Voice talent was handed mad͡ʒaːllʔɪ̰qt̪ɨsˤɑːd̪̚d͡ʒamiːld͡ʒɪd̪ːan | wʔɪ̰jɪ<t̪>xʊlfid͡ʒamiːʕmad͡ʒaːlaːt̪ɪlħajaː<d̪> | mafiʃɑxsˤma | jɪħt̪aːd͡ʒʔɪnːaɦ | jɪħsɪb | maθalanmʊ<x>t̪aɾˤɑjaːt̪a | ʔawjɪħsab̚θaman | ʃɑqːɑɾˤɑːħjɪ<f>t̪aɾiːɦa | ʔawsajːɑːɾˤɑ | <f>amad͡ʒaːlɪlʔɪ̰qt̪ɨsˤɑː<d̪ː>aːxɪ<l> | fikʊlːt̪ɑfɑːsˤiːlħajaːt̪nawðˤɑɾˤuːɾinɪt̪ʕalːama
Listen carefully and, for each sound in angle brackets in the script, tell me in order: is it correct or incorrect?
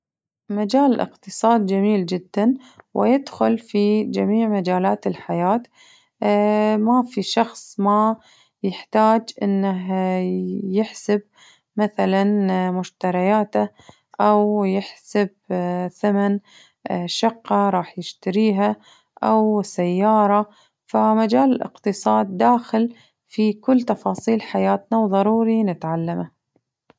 incorrect, incorrect, incorrect, incorrect, correct, correct, correct

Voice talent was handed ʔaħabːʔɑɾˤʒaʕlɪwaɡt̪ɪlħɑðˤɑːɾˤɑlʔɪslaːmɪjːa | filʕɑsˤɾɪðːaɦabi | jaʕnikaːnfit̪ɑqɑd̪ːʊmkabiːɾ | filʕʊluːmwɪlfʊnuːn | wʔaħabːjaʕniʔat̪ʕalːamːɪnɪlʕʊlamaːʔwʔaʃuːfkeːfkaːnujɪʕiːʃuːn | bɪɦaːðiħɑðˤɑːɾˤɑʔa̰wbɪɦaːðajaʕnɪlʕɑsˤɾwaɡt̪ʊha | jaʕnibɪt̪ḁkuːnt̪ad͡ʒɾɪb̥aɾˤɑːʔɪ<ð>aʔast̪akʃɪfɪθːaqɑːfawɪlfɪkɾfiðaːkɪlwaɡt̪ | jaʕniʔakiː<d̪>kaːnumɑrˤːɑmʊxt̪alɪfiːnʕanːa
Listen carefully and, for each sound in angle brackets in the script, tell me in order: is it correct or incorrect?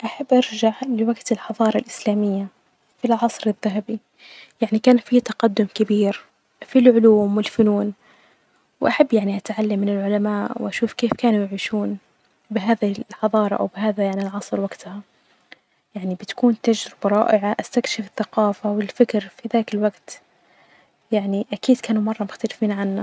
incorrect, correct

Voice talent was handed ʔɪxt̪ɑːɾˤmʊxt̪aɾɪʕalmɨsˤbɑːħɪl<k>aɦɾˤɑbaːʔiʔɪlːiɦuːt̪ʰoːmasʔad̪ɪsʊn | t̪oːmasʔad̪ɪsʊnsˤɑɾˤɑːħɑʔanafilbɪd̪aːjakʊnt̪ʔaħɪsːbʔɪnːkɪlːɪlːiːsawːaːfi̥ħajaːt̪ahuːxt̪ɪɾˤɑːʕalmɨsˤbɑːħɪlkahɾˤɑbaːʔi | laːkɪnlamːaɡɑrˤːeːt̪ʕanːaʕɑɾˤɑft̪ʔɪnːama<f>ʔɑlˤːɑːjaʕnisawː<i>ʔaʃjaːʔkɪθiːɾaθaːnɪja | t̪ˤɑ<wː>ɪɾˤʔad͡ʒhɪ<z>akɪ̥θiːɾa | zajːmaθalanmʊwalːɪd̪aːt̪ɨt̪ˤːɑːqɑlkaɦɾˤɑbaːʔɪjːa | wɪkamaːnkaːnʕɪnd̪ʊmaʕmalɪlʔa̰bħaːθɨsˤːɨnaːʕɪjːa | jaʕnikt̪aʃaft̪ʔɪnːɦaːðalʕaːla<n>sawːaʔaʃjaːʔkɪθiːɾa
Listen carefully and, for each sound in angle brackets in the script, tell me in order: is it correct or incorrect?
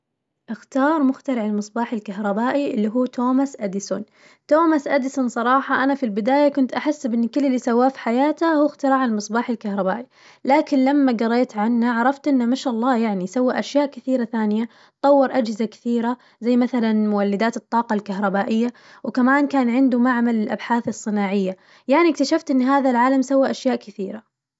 correct, incorrect, incorrect, correct, correct, incorrect

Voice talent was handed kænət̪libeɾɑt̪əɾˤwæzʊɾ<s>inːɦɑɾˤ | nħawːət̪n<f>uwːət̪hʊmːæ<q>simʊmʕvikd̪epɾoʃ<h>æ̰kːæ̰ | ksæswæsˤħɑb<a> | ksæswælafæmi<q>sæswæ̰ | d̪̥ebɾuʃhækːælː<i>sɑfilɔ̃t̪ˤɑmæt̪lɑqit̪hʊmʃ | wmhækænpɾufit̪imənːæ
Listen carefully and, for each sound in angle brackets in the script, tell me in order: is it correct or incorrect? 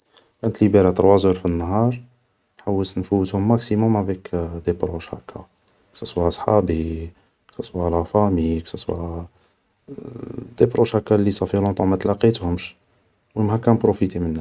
incorrect, correct, incorrect, correct, incorrect, incorrect, correct

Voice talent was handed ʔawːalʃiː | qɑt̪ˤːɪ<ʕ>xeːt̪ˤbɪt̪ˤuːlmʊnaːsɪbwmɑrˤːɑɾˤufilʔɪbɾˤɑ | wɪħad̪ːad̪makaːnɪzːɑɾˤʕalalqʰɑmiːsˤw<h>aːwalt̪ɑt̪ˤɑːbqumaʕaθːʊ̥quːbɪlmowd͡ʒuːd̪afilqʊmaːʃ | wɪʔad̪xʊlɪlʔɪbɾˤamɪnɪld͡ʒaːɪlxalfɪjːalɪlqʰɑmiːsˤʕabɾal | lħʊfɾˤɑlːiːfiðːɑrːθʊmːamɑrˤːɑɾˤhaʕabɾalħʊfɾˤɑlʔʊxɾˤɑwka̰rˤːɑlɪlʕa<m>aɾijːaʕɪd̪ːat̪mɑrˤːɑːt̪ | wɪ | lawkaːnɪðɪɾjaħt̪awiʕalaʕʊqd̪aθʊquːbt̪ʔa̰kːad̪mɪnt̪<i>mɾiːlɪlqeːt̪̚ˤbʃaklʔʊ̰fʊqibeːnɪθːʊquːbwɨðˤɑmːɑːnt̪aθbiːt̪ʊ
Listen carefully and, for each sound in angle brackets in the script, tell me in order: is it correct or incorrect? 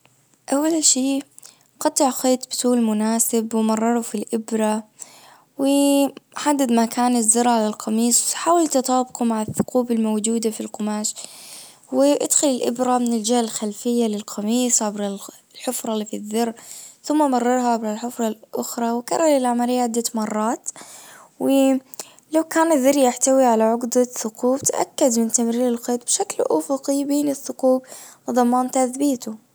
correct, incorrect, correct, incorrect

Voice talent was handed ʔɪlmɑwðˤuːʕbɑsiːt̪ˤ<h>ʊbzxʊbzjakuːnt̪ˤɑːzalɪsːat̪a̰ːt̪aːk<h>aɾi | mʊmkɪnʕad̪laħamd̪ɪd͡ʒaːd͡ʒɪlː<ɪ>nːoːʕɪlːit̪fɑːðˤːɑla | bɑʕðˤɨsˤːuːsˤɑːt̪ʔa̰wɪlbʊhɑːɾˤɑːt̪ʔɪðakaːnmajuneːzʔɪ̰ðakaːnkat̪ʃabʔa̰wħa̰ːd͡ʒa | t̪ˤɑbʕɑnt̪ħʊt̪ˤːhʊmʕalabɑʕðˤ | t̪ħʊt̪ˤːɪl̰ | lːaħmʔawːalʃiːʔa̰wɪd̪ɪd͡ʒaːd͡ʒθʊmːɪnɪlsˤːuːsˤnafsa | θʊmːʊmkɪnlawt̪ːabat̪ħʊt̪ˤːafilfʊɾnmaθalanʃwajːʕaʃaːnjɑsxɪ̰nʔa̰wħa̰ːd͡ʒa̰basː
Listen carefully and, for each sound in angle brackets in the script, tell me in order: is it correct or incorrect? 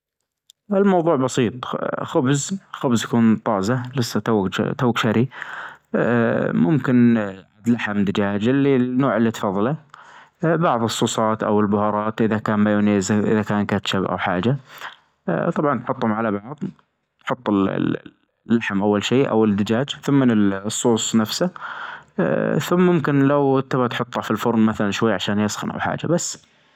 incorrect, incorrect, incorrect

